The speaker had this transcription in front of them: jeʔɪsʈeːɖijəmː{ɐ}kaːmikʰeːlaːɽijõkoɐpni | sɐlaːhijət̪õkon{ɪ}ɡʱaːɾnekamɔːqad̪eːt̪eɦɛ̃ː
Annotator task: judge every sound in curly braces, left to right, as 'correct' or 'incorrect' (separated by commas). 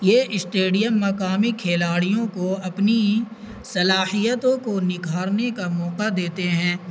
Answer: correct, correct